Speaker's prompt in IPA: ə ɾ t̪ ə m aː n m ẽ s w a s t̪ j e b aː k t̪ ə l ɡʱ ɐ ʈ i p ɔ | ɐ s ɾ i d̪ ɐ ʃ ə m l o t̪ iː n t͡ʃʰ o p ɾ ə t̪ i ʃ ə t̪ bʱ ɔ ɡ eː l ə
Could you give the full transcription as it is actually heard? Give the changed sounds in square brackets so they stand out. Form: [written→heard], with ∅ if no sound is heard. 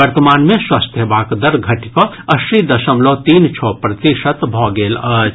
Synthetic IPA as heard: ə ɾ t̪ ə m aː n m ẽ s w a s t̪ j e b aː k [t̪→d̪] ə [l→ɾ] ɡʱ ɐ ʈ i [p→k] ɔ | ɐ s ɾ i d̪ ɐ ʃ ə m l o t̪ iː n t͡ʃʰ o p ɾ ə t̪ i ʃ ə t̪ bʱ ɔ ɡ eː l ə